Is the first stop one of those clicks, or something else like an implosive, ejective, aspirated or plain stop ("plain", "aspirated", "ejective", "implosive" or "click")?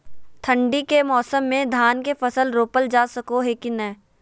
aspirated